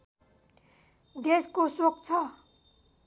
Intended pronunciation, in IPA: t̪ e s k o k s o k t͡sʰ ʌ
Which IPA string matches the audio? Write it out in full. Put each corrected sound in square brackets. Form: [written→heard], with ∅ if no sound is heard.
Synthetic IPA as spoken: [t̪→d̪] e s k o [k→∅] s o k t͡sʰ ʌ